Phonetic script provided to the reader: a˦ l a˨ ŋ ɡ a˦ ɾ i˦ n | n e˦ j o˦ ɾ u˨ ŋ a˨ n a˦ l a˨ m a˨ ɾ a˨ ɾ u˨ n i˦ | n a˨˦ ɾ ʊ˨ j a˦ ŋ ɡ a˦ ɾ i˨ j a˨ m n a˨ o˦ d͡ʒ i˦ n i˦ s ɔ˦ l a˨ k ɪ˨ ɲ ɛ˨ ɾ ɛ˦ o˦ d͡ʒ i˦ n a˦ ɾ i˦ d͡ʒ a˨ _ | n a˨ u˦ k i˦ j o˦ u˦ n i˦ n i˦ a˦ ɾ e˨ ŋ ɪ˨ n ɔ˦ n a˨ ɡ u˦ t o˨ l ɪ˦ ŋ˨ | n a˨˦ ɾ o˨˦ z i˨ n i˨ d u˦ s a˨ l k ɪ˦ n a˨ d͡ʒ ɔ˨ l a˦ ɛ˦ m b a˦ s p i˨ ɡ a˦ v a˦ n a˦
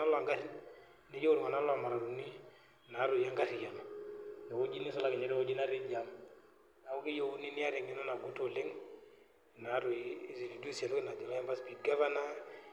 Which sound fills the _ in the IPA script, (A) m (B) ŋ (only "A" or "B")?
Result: A